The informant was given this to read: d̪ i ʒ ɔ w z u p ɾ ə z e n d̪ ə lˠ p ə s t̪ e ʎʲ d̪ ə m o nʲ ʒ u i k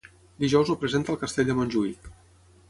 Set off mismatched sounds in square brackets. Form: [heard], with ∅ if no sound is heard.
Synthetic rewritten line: d̪ i ʒ ɔ w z u p ɾ ə z e n [t̪] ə lˠ [k] ə s t̪ e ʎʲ d̪ ə m o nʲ ʒ u i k